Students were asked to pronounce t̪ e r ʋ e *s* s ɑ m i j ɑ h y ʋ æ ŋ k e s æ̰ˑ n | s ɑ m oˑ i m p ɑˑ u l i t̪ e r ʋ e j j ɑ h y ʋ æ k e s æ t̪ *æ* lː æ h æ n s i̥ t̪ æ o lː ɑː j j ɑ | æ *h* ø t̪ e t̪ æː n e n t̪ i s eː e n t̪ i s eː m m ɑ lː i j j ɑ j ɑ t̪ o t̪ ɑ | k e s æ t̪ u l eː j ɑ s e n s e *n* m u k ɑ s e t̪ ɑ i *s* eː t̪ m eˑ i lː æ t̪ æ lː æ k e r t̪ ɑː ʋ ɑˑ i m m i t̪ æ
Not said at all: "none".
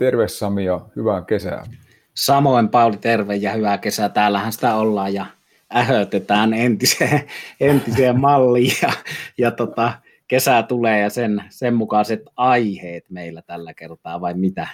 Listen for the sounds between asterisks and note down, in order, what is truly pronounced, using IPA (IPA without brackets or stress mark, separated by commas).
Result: s, æː, h, m, h